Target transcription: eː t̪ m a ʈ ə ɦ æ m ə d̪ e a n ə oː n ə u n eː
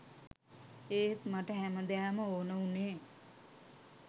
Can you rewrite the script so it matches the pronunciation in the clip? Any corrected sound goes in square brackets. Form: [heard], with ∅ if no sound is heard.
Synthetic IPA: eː t̪ m a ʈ ə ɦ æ m ə d̪ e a [m] ə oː n ə u n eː